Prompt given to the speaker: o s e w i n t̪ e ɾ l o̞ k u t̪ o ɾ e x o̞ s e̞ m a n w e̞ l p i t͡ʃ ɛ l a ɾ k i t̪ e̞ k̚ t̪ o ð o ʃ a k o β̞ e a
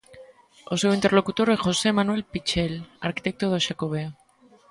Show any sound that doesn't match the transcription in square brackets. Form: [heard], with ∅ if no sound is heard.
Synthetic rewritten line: o s e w i n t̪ e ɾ l o̞ k u t̪ o ɾ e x o̞ s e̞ m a n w e̞ l p i t͡ʃ [e] l a ɾ k i t̪ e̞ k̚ t̪ o ð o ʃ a k o β̞ e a